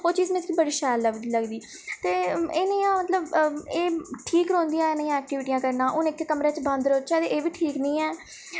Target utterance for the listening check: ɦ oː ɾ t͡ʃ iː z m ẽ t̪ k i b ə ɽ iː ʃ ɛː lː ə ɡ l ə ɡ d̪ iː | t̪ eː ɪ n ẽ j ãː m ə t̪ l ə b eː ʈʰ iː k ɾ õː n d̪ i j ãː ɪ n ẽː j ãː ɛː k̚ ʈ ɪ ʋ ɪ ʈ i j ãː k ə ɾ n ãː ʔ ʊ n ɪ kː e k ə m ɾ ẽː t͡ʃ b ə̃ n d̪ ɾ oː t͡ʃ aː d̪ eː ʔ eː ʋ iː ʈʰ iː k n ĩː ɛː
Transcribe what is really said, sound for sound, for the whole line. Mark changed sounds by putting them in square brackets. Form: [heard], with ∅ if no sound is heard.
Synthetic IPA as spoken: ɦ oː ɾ t͡ʃ iː z m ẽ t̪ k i b ə ɽ iː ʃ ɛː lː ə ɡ l ə ɡ d̪ iː | t̪ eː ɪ n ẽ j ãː m ə t̪ l ə b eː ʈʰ iː k ɾ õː n d̪ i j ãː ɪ n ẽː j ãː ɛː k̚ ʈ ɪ ʋ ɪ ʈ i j ãː k ə ɾ n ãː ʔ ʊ n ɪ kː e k ə m ɾ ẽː t͡ʃ b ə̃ n d̪ ɾ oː t͡ʃ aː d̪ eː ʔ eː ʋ iː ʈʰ iː k n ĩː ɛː

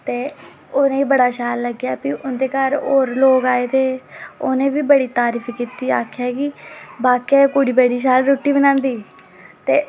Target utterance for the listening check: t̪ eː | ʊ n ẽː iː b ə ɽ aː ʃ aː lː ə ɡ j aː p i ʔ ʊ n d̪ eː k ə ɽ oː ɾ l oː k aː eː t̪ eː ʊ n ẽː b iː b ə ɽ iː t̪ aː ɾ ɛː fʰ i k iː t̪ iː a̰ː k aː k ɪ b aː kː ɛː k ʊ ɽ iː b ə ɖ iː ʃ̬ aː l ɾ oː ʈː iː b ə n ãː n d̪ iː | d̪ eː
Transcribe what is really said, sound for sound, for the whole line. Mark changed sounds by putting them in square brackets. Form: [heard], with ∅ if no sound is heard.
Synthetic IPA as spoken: t̪ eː | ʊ n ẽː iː b ə ɽ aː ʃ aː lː ə ɡ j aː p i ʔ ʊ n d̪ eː k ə [ɾ] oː ɾ l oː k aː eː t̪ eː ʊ n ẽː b iː b ə ɽ iː t̪ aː ɾ [iː] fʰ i k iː t̪ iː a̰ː [kʰ] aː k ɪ b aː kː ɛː k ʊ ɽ iː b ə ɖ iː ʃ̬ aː l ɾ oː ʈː iː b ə n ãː n d̪ iː | [t̪] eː

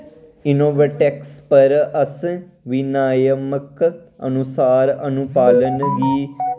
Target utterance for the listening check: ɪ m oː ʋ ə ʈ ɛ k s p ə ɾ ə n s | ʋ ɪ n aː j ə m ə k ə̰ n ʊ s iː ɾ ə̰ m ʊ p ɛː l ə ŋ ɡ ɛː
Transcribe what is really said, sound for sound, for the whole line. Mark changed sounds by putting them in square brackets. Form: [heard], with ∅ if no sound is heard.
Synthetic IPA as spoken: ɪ [n] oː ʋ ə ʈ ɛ k s p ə ɾ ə [∅] s | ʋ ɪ n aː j ə m ə k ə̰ n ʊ s [aː] ɾ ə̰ [n] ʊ p [aː] l ə [n] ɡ [iː]

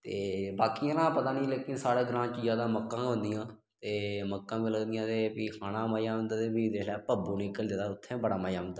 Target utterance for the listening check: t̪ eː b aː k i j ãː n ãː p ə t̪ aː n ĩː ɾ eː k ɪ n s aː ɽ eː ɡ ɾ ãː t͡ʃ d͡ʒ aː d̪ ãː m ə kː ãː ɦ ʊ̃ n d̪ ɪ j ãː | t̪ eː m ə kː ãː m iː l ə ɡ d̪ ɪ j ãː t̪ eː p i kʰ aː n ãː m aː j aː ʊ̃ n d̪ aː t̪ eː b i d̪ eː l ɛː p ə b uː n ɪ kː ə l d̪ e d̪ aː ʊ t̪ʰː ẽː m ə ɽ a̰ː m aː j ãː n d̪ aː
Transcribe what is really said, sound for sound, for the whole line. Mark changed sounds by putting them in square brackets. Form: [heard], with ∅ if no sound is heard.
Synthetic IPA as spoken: t̪ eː b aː k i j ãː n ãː p ə t̪ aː n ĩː [l] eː k ɪ n s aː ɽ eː ɡ ɾ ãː t͡ʃ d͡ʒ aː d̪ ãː m ə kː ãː ɦ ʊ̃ n d̪ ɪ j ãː | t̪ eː m ə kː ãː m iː l ə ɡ d̪ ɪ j ãː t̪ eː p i kʰ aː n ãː m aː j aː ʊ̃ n d̪ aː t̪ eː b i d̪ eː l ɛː p ə b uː n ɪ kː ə l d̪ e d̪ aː ʊ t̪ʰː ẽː [b] ə ɽ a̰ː m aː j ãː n d̪ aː

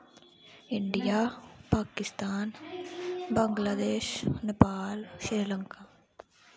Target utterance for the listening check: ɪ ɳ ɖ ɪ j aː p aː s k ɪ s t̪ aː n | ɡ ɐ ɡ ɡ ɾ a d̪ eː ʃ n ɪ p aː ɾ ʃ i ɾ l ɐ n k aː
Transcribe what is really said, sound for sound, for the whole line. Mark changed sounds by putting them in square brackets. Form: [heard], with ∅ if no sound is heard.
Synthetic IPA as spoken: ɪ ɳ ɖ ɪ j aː p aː [∅] k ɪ s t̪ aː n | [b] ɐ [ŋ] ɡ [l] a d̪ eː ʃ n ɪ p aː [l] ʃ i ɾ l ɐ [ŋ] k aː

